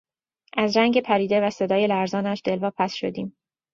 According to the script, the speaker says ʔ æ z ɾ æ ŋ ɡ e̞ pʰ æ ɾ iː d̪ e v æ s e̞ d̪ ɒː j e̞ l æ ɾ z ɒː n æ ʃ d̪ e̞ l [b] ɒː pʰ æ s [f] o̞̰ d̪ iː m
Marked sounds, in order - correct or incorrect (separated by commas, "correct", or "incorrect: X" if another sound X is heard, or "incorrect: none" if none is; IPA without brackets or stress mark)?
incorrect: v, incorrect: ʃ